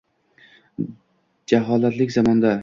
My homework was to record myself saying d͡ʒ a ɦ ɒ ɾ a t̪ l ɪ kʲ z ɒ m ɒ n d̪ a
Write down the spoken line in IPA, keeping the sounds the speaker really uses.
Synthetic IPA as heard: d͡ʒ a ɦ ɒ l a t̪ l ɪ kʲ z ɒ m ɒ n d̪ a